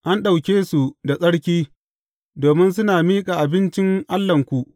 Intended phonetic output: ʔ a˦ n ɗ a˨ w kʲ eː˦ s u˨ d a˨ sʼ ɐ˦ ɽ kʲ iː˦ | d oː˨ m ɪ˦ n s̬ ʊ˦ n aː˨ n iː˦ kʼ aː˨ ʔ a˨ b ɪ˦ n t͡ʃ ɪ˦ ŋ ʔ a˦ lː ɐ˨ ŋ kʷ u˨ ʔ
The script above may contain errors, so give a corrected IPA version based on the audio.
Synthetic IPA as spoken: ʔ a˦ n ɗ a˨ w kʲ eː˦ s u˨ d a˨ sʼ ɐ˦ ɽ kʲ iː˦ | d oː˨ m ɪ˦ n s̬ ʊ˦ n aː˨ m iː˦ kʼ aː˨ ʔ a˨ b ɪ˦ n t͡ʃ ɪ˦ ŋ ʔ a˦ lː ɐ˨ ŋ kʷ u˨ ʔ